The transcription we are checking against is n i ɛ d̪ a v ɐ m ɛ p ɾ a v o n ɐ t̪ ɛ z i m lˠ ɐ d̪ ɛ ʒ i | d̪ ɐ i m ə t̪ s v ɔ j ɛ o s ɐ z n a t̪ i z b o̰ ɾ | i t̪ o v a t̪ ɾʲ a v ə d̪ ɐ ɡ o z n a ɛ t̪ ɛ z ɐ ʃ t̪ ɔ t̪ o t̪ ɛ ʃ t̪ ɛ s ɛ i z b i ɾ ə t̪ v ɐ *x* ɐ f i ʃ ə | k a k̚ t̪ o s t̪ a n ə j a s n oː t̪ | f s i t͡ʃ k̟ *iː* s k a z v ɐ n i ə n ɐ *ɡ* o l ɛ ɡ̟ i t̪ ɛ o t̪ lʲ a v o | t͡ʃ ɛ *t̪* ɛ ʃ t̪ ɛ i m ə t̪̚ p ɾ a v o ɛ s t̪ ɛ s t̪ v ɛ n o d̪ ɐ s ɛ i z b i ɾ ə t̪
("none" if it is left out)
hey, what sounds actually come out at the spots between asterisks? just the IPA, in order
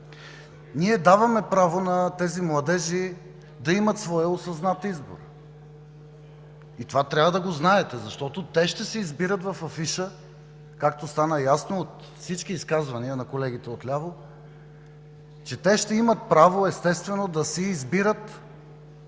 f, iː, k, t̪

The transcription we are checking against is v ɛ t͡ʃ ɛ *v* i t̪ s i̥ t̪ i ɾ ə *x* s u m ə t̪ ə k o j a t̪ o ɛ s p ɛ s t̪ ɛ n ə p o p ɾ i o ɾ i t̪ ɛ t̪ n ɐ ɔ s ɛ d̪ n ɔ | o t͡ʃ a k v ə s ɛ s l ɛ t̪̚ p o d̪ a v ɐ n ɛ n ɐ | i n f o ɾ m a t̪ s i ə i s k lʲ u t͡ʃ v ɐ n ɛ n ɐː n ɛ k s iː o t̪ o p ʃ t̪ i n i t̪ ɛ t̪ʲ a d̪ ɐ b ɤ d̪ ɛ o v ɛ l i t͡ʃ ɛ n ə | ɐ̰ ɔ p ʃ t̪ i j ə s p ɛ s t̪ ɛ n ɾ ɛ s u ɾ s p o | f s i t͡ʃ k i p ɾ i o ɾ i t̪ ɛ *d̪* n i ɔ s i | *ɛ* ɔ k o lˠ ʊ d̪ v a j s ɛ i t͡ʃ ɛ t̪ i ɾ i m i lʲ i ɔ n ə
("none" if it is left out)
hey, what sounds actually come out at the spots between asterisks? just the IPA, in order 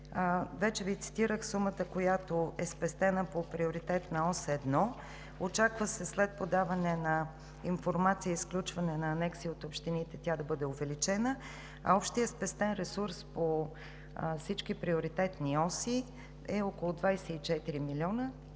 v, x, t̪, ɛ

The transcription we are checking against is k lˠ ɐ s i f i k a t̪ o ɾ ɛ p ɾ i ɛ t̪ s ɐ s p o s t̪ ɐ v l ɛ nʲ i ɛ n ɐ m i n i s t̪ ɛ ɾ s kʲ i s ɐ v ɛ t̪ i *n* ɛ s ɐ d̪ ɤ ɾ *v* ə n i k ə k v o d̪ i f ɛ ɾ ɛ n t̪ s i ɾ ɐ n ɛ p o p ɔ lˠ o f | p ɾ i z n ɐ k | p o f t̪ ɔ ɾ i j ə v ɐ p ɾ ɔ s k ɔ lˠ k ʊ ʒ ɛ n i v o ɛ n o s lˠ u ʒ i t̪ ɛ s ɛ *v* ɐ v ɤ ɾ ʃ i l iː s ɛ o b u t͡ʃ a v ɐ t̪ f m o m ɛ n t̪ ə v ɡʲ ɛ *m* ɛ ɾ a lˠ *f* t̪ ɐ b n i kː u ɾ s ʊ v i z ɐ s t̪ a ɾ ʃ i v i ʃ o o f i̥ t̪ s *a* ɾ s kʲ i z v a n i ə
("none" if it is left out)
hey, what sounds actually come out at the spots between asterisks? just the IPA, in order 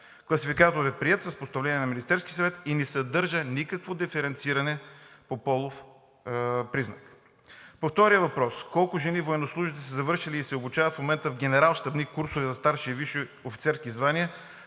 n, ʒ, z, n, ʃ, ɛ

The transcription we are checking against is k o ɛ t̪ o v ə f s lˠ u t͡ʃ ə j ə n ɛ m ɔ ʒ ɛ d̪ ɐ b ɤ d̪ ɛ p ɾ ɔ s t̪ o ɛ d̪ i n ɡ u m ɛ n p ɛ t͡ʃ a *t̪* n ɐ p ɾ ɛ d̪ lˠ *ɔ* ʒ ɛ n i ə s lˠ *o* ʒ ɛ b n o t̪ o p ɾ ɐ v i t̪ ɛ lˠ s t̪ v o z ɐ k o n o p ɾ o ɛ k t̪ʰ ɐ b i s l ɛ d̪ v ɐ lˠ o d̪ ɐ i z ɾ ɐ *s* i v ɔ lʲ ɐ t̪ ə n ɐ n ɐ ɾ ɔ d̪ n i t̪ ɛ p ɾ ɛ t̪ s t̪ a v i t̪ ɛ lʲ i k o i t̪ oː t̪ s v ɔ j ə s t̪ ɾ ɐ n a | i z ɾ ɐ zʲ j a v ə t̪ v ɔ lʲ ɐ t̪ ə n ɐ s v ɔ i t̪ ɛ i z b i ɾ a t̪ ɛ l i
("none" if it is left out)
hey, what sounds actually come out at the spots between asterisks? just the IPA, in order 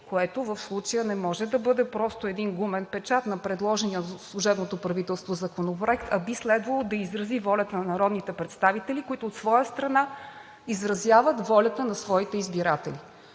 t̪, ɔ, u, z

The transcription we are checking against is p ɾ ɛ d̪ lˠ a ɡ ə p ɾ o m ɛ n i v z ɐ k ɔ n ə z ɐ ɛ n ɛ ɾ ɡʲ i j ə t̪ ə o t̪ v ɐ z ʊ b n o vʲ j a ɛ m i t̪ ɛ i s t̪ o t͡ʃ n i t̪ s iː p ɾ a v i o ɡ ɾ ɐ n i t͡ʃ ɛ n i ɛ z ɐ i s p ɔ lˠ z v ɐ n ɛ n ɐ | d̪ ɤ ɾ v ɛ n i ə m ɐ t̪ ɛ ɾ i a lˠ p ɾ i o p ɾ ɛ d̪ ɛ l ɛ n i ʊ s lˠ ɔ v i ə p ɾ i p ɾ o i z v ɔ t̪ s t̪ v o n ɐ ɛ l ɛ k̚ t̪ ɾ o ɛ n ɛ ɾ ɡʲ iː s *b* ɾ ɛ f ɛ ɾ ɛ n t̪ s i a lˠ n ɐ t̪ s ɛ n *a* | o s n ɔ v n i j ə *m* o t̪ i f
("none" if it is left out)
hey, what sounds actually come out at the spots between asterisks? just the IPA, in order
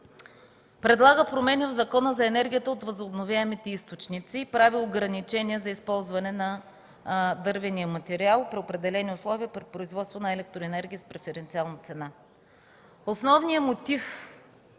p, a, m

